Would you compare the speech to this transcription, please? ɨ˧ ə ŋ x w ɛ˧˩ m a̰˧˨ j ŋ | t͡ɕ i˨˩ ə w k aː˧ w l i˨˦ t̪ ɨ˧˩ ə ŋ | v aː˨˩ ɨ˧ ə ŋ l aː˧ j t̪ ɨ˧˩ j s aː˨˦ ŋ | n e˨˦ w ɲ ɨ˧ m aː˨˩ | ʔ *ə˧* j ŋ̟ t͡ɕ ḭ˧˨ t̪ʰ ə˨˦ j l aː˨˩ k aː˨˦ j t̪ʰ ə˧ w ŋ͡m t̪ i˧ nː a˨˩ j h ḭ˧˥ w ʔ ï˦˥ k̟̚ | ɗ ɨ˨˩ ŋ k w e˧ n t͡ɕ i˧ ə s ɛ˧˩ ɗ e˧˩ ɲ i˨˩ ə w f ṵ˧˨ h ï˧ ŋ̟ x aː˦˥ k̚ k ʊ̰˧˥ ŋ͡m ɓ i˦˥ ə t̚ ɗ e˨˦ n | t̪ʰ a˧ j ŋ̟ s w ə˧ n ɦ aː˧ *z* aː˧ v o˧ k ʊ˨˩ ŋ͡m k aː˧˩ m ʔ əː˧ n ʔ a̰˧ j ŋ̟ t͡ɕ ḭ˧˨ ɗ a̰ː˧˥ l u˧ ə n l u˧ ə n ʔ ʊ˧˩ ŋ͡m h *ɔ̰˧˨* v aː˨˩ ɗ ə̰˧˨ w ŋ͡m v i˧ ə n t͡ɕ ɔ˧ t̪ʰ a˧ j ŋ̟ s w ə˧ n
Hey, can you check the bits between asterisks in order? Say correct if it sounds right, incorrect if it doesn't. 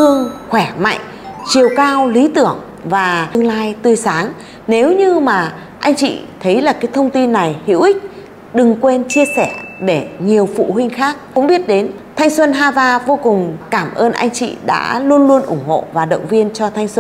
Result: incorrect: a˧, correct, incorrect: o̰˧˨

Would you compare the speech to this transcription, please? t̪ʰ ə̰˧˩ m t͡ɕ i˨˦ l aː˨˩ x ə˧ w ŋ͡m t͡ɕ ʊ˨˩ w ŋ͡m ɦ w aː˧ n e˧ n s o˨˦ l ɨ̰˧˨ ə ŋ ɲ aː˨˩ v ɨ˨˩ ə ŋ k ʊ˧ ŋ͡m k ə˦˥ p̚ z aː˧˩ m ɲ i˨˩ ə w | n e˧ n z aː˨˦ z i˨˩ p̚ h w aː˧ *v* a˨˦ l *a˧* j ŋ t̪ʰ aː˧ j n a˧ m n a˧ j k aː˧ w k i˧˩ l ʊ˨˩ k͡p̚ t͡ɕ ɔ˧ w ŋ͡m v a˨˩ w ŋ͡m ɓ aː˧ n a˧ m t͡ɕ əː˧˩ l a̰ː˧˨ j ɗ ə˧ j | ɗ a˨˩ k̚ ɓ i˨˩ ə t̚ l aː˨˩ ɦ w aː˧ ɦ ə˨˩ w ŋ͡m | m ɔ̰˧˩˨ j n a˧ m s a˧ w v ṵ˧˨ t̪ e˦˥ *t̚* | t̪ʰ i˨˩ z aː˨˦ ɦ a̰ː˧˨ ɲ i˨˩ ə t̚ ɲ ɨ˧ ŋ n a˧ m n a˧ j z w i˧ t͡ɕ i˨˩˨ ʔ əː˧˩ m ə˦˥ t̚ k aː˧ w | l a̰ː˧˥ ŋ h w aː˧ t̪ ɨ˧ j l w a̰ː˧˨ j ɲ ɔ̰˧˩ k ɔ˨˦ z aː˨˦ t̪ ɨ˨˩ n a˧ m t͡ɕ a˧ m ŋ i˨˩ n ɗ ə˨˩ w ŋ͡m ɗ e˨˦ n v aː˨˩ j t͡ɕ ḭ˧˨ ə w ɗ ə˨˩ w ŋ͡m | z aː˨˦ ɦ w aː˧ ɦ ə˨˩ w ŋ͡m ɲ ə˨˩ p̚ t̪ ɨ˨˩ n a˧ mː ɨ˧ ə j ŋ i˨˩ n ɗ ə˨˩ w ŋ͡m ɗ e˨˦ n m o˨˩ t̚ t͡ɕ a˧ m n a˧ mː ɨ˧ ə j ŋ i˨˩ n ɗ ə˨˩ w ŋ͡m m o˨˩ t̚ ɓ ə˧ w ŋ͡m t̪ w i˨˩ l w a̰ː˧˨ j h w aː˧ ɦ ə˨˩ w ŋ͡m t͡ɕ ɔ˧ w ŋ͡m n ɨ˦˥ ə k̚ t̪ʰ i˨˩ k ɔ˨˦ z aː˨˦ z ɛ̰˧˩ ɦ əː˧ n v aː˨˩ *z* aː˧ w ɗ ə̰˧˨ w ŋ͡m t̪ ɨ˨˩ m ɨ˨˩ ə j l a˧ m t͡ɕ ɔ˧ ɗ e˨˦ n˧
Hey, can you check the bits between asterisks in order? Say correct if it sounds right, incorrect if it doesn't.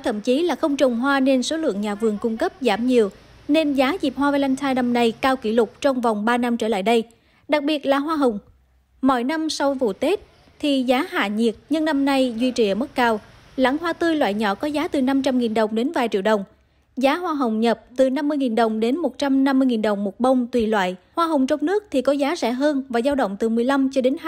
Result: correct, correct, correct, correct

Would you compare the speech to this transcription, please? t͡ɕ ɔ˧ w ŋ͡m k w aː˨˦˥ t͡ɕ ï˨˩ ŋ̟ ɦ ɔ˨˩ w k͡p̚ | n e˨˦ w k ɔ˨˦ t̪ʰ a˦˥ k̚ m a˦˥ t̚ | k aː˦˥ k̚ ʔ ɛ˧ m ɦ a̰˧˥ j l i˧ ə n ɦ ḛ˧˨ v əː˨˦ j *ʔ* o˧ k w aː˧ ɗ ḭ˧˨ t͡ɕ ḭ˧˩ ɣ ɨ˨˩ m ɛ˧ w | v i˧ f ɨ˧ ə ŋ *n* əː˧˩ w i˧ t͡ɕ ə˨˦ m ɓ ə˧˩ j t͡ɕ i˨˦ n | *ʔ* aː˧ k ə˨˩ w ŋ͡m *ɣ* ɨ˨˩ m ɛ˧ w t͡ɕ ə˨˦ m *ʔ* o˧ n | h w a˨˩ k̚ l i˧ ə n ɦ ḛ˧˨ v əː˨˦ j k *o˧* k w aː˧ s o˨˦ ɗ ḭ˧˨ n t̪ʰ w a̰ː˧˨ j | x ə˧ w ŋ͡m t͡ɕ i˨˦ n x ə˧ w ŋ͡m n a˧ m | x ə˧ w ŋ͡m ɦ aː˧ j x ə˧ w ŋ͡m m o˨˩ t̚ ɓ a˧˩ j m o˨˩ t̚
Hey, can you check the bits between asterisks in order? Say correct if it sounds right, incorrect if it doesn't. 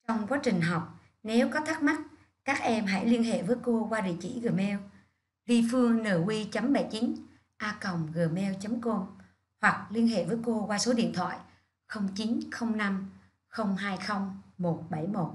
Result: incorrect: k, correct, correct, correct, incorrect: k, correct

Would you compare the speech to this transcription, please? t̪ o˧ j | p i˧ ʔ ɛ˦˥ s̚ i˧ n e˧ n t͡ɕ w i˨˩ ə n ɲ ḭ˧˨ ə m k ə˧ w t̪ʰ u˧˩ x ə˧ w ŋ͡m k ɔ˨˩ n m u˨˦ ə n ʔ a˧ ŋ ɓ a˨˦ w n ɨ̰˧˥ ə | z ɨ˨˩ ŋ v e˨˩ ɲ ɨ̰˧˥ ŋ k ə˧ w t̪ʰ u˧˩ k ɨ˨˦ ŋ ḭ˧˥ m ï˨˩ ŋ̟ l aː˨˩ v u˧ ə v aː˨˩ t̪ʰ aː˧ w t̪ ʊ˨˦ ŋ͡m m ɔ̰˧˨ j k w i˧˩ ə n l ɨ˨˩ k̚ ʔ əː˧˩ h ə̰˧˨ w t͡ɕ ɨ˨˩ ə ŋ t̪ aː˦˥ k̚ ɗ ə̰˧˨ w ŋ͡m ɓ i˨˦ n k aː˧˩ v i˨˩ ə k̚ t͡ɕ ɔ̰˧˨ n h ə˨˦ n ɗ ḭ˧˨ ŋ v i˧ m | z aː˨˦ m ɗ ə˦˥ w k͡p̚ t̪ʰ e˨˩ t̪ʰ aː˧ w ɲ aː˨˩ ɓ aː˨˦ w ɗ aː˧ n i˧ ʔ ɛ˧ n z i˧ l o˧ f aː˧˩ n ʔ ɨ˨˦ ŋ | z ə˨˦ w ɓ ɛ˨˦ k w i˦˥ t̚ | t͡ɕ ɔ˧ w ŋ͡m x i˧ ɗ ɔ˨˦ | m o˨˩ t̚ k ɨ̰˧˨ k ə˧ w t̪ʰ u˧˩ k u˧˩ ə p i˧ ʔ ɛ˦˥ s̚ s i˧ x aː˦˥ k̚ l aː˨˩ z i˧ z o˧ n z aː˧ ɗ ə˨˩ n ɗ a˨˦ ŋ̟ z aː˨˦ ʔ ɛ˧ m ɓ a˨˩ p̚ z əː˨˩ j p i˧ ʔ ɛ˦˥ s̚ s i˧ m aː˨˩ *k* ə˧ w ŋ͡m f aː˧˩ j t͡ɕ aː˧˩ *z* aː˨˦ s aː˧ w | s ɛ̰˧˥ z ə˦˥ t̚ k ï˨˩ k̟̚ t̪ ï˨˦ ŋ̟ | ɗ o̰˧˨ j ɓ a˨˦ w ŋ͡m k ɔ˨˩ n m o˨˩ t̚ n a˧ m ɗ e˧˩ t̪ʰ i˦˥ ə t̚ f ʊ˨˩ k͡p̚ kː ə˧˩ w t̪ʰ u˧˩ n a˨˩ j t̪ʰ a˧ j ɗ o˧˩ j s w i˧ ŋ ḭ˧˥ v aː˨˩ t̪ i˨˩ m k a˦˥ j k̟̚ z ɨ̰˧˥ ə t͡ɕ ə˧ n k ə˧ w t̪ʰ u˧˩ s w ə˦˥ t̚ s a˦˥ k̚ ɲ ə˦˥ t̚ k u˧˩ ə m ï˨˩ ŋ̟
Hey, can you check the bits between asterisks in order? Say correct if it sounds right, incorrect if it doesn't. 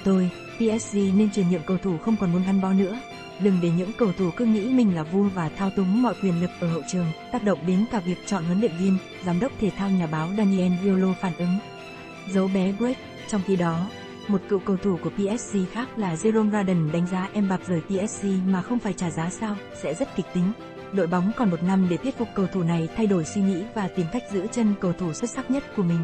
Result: incorrect: x, correct

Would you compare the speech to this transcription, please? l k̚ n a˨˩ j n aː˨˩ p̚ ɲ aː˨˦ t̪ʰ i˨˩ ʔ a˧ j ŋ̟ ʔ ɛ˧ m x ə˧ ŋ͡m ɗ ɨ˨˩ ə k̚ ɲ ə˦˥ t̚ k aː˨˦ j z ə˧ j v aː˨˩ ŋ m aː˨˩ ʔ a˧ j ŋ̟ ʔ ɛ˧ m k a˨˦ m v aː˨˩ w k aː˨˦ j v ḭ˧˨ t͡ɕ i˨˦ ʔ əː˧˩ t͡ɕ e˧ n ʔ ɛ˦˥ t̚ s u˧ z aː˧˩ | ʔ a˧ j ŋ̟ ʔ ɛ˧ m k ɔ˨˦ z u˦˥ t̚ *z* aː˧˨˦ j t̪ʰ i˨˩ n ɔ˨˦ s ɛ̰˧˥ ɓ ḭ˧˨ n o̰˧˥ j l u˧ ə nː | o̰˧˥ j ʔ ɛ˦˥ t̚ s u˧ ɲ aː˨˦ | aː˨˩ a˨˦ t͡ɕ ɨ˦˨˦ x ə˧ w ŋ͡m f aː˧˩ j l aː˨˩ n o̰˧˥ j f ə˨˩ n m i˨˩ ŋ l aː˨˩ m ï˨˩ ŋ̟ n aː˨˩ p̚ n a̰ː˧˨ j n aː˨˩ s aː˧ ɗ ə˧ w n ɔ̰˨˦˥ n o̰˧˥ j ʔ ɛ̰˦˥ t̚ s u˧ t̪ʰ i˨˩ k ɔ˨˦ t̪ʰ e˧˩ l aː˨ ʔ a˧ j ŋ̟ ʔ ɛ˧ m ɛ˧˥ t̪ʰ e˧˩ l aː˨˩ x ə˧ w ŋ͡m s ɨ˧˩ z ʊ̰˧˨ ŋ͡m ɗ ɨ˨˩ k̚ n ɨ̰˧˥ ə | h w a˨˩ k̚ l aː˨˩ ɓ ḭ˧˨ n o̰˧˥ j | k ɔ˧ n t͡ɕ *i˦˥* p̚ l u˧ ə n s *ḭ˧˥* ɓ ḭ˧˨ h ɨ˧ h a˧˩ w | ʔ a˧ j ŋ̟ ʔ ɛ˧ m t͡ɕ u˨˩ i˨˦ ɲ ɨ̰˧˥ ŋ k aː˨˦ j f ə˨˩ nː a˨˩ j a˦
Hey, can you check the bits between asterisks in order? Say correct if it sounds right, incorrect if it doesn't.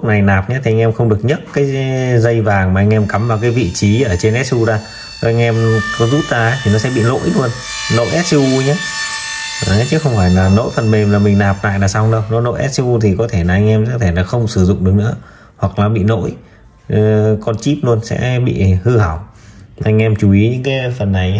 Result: correct, correct, incorrect: ɛ̰˧˥

